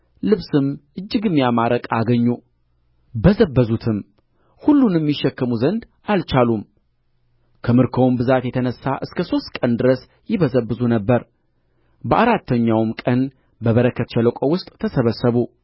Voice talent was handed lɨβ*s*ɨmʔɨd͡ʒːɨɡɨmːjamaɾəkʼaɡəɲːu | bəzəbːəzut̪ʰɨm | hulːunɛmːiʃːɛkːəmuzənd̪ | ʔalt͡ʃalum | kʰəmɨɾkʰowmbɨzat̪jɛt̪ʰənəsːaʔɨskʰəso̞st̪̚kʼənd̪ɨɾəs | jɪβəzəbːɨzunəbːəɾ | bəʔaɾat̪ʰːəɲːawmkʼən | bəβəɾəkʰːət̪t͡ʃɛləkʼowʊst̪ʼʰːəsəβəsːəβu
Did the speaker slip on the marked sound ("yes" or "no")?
no